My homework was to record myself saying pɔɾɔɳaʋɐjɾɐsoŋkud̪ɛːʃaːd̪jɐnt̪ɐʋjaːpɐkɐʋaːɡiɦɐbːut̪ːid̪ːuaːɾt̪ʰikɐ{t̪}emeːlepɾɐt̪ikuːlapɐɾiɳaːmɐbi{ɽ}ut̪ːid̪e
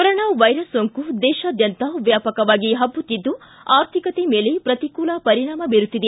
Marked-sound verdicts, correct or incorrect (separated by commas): correct, incorrect